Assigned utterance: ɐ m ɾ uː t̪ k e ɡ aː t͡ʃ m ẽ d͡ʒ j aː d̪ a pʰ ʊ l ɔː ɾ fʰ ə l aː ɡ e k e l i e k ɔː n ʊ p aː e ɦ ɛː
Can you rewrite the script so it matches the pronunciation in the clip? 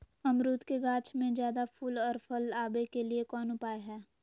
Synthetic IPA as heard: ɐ m ɾ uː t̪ k e ɡ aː t͡ʃ m ẽ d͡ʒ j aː d̪ a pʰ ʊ l ɔː ɾ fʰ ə l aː b e k e l i e k ɔː n ʊ p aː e ɦ ɛː